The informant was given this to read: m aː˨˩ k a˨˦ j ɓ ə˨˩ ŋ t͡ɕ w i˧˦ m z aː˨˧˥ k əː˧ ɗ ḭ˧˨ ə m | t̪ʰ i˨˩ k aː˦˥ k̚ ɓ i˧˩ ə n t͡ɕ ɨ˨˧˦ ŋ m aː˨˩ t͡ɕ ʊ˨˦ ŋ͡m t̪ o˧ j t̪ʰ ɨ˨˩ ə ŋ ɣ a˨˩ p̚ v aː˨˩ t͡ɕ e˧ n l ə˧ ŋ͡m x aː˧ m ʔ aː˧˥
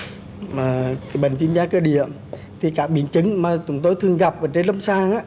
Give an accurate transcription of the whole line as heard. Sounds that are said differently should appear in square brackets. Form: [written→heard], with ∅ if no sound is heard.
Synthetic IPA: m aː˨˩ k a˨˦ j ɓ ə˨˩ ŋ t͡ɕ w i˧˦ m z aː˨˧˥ k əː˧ ɗ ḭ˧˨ ə m | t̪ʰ i˨˩ k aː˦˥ k̚ ɓ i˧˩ ə n t͡ɕ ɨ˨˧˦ ŋ m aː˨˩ t͡ɕ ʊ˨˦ ŋ͡m t̪ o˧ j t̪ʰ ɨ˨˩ ə ŋ ɣ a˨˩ p̚ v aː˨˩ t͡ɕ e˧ n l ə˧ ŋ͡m [x→s] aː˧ [m→ŋ] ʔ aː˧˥

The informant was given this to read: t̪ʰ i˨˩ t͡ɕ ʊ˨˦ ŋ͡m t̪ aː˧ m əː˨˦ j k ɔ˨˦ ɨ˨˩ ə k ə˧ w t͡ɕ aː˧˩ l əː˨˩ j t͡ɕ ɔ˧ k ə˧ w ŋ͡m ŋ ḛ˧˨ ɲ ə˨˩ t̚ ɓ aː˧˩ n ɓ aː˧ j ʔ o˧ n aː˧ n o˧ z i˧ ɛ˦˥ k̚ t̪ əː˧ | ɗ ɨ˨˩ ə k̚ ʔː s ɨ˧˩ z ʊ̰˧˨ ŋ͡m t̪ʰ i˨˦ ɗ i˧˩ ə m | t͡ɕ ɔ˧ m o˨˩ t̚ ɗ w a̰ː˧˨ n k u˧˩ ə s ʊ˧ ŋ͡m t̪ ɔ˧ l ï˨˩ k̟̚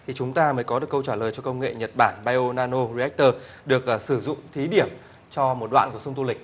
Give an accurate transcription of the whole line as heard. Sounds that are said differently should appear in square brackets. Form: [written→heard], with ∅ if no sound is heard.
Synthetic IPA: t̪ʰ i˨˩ t͡ɕ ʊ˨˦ ŋ͡m t̪ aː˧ m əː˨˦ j k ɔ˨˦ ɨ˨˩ ə k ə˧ w t͡ɕ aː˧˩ l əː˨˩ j t͡ɕ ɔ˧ k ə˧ w ŋ͡m ŋ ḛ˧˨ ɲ ə˨˩ t̚ ɓ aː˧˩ n ɓ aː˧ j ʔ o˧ n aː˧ n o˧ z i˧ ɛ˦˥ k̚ t̪ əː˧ | ɗ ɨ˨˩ ə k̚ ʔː s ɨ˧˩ z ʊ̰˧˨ ŋ͡m t̪ʰ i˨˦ ɗ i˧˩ ə m | t͡ɕ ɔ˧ m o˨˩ t̚ ɗ w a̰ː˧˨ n k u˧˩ ə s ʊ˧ ŋ͡m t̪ [ɔ˧→u˧] l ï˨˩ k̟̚

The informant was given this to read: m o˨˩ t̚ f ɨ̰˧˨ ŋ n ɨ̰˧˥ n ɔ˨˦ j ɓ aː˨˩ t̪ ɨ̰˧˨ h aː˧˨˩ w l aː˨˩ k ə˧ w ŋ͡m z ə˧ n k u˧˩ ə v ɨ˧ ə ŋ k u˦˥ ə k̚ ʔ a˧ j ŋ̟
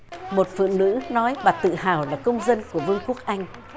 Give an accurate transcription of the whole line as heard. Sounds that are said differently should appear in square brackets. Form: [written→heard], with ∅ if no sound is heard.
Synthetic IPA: m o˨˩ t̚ f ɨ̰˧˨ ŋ n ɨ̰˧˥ n ɔ˨˦ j ɓ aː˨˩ t̪ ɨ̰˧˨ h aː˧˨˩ w l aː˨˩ k ə˧ w ŋ͡m z ə˧ n k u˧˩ ə v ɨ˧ ə ŋ k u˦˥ ə k̚ ʔ a˧ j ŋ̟

